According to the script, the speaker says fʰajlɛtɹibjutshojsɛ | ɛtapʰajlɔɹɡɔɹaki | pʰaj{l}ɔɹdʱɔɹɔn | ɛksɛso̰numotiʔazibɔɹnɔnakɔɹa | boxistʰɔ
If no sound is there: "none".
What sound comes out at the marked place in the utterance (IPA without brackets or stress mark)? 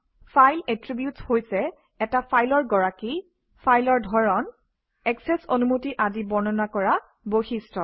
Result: l